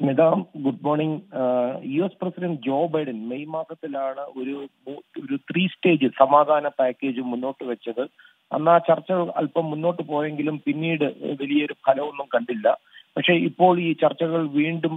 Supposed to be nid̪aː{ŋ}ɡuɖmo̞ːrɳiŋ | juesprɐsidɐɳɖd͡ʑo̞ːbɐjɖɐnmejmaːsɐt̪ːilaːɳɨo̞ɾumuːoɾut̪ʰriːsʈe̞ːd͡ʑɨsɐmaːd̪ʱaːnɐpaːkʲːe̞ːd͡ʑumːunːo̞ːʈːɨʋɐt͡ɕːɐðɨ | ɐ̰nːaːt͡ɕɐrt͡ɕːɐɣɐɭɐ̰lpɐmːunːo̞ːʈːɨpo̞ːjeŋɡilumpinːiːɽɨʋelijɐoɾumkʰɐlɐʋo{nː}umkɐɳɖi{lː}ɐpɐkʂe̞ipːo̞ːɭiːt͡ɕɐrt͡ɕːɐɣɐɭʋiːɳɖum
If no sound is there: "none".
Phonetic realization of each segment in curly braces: m, nː, lː

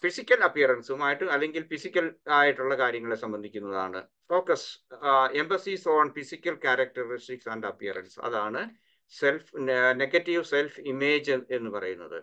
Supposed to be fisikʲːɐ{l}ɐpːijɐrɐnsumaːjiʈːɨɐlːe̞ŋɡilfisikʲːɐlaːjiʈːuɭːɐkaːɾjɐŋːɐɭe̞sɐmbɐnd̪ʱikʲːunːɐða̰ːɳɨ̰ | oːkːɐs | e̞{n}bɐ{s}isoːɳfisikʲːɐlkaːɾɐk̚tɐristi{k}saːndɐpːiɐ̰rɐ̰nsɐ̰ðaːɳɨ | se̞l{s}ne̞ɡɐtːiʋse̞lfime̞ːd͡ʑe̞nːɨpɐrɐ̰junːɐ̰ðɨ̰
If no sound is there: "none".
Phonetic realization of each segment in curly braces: l, m, s, k, f

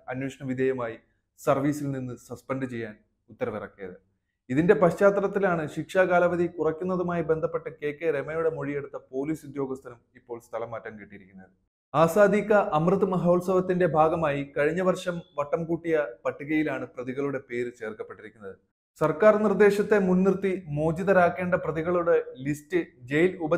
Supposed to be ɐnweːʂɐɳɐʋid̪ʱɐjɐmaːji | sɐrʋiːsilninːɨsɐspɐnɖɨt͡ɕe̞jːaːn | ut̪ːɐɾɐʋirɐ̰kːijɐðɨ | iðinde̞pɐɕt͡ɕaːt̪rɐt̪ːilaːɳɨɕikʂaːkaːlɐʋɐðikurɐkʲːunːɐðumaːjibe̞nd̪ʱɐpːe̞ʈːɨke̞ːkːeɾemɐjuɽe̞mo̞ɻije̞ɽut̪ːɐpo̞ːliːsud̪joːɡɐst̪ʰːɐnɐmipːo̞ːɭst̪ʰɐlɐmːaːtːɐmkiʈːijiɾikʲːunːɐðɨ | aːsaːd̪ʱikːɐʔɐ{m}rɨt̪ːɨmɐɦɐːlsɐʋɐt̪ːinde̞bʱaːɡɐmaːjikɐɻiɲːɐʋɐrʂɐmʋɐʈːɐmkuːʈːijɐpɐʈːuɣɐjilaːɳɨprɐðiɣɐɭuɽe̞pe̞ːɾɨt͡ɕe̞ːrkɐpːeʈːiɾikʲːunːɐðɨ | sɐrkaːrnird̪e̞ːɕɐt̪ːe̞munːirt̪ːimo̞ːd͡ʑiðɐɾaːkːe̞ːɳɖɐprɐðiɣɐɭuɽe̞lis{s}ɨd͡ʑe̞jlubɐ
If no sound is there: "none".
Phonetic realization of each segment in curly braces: m, t

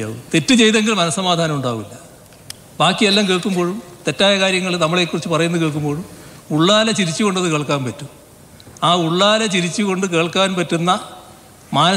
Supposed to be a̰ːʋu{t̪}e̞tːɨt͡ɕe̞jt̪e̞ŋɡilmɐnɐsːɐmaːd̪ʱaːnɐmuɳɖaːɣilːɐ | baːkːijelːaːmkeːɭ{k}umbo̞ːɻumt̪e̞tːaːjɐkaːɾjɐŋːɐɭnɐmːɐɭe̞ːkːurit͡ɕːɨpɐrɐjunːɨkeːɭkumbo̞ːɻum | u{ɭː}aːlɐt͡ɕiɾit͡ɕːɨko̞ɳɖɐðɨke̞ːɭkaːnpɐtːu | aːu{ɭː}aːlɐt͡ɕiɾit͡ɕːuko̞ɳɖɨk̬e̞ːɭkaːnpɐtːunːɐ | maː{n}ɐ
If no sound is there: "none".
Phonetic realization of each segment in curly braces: t̪, k, ɭː, ɭː, n

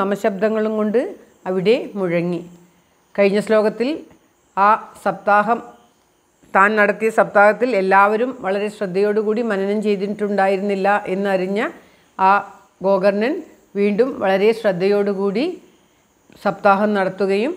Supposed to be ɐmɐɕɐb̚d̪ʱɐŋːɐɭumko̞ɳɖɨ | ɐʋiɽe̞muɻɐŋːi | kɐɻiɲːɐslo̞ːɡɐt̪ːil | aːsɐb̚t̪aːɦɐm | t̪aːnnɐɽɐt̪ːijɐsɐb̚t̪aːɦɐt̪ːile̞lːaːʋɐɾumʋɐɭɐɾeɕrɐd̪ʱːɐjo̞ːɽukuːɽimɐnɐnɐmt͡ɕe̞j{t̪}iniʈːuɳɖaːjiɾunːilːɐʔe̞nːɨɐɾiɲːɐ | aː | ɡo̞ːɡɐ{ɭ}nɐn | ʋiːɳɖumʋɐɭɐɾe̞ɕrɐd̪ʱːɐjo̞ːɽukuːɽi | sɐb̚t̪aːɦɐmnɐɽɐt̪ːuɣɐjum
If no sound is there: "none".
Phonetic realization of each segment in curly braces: t̪, r

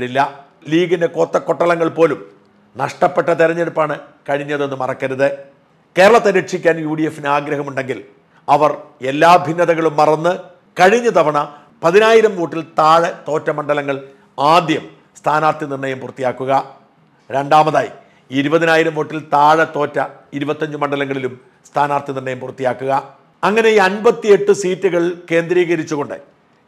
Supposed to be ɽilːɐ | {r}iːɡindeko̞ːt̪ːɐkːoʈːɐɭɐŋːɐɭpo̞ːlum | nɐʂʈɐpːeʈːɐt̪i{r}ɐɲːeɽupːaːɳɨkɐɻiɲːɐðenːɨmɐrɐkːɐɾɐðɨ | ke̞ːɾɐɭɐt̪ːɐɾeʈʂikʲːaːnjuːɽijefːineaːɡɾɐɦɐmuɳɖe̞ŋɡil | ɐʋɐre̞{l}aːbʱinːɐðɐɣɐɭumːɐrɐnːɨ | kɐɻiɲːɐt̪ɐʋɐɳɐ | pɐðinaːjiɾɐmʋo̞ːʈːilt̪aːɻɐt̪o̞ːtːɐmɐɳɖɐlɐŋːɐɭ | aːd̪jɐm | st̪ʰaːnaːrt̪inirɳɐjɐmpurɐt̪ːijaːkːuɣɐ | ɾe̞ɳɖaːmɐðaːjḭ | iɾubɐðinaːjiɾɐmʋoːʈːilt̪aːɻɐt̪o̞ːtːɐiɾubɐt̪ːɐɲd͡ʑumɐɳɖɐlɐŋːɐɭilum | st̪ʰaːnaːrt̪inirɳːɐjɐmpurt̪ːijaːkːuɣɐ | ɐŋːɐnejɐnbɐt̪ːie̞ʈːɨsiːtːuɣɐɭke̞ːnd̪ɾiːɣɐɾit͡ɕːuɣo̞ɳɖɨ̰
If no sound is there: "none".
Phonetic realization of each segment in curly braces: l, ɾ, lː

